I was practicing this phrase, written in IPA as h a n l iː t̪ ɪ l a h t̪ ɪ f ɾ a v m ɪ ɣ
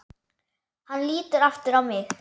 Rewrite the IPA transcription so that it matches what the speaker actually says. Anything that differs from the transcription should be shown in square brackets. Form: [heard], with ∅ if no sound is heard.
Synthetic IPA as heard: h a n l iː t̪ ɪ [ɾ] a [f] t̪ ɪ [∅] ɾ a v m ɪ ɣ